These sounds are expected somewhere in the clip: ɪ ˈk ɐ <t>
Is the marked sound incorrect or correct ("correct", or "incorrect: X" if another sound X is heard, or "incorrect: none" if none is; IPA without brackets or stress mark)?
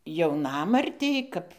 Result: incorrect: p